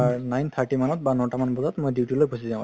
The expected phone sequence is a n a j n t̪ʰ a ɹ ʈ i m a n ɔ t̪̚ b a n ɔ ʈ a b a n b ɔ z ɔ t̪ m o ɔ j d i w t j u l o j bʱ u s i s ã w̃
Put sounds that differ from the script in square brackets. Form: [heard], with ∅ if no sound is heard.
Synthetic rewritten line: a n a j n t̪ʰ a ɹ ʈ i m a n ɔ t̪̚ b a n ɔ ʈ a [m] a n b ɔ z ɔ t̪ m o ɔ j d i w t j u l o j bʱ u s i [z] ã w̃